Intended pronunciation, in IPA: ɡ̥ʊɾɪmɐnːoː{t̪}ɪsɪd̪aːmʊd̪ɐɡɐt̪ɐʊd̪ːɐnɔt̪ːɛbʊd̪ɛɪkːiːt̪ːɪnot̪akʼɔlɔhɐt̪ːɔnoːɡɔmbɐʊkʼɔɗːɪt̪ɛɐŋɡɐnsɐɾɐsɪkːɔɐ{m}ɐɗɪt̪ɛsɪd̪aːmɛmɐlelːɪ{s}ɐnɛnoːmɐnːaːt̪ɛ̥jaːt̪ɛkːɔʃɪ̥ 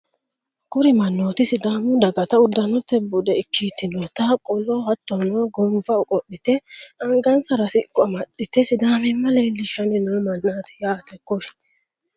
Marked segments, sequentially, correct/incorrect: correct, correct, incorrect: ʃ

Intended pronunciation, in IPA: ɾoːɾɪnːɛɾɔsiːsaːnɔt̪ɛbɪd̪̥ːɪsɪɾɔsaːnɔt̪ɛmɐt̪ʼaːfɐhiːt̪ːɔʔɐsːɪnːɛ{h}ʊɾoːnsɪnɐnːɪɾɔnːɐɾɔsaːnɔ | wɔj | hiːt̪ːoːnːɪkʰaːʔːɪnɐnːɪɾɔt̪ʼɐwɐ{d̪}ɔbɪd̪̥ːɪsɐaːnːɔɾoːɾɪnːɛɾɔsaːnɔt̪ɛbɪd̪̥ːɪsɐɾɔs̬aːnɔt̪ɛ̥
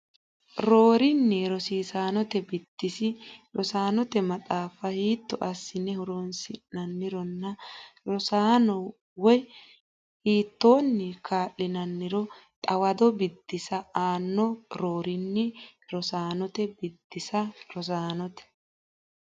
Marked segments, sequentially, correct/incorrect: correct, correct

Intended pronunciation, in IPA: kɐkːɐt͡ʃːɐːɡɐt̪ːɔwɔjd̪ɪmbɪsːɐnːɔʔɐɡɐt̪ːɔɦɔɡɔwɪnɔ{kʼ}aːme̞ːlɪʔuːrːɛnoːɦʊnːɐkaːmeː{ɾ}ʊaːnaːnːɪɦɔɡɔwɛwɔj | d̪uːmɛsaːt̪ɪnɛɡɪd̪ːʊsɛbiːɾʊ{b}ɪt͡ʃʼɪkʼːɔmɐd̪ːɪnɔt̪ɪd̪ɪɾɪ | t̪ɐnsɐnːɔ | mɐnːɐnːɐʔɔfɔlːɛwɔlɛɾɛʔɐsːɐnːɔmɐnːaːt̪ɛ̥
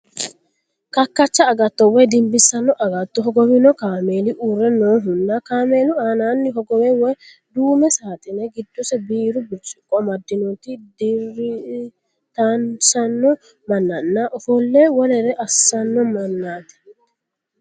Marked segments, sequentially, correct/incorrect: incorrect: k, incorrect: l, correct

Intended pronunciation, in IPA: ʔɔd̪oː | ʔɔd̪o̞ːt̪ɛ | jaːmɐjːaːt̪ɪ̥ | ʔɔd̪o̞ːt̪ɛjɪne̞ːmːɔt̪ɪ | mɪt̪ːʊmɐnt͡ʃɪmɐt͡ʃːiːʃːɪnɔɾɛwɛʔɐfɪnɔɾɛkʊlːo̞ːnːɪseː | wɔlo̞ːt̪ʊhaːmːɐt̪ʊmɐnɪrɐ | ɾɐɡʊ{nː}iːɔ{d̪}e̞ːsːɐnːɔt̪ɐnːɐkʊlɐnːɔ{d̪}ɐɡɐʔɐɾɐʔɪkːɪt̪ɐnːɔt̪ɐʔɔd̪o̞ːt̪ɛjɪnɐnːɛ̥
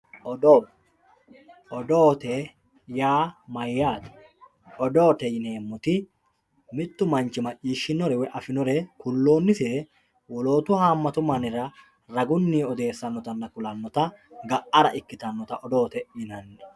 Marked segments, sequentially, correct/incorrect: correct, correct, incorrect: t̪

